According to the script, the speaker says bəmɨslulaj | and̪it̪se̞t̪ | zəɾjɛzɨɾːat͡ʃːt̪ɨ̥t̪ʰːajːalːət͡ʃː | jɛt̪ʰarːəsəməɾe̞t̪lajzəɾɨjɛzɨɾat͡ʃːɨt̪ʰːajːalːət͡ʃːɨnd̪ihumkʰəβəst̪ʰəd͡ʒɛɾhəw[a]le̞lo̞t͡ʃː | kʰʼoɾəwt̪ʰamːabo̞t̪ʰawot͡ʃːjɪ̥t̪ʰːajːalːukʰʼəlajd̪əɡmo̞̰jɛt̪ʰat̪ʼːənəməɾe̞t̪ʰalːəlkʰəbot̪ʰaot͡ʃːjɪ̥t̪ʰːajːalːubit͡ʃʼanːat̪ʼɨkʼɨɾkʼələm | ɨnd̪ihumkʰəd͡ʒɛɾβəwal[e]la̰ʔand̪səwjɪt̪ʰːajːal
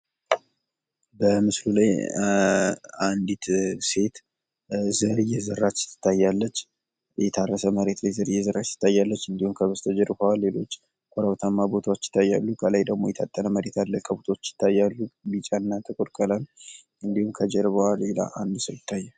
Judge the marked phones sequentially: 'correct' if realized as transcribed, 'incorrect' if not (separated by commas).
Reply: correct, correct